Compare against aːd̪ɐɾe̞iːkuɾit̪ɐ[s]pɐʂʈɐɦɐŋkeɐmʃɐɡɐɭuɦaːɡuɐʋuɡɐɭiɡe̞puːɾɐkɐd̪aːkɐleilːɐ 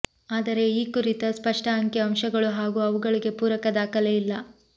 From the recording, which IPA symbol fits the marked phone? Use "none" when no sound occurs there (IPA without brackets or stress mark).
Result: s